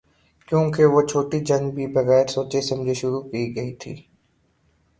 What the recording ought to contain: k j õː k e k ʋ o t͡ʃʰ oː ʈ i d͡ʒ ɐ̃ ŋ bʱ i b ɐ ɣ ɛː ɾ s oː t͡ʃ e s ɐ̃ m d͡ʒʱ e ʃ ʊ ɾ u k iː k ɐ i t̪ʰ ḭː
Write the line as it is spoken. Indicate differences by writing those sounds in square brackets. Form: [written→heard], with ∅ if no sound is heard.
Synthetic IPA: k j õː k e [k→∅] ʋ o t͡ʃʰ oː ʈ i d͡ʒ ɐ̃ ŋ bʱ i b ɐ ɣ ɛː ɾ s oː t͡ʃ e s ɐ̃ m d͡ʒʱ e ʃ ʊ ɾ u k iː [k→ɡ] ɐ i t̪ʰ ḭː